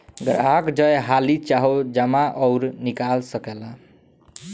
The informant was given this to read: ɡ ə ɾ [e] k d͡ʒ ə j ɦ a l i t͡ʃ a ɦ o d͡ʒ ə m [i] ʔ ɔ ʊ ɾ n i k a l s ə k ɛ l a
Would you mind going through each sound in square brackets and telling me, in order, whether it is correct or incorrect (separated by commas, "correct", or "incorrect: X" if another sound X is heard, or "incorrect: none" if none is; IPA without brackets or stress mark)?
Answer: incorrect: a, incorrect: a